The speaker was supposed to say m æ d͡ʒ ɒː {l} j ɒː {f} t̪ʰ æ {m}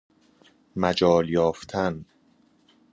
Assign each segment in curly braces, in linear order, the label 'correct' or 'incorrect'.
correct, correct, incorrect

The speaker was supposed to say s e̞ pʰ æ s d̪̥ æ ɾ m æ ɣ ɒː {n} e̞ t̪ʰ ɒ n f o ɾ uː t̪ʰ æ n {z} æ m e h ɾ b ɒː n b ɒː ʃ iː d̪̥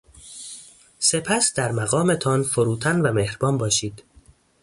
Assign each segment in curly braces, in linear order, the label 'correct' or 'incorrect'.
incorrect, incorrect

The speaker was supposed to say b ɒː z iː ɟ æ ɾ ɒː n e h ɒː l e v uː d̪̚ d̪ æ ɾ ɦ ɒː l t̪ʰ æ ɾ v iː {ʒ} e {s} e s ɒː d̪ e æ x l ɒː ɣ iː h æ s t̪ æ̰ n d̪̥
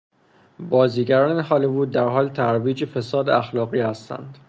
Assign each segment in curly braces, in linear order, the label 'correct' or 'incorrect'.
incorrect, incorrect

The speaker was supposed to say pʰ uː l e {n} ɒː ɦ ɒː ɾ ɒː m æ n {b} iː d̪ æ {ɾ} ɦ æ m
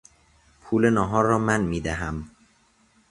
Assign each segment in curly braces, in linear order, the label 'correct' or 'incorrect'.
correct, incorrect, incorrect

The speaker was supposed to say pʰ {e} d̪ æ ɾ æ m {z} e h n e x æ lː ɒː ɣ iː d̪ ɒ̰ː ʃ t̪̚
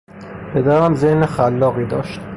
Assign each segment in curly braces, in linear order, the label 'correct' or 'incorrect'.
correct, correct

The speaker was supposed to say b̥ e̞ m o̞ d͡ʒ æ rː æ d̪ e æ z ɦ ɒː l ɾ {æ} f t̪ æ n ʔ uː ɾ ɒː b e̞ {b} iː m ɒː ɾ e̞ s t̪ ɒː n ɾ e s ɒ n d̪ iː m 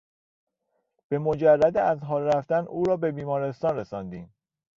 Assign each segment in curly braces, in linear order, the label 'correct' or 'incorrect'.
correct, correct

